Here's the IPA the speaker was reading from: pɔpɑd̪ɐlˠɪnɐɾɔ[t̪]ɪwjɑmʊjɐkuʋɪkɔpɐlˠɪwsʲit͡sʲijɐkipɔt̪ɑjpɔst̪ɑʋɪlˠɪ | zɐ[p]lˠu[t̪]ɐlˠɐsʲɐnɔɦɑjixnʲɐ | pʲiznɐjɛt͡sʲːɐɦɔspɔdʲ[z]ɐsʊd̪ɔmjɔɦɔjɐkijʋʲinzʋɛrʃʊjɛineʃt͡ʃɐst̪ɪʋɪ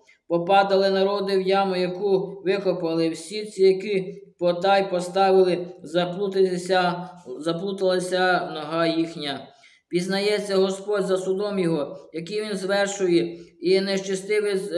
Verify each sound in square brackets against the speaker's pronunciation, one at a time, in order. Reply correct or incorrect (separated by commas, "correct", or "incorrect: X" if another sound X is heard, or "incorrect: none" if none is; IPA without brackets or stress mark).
incorrect: d̪, correct, correct, correct